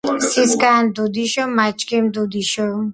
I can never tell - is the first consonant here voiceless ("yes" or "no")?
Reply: yes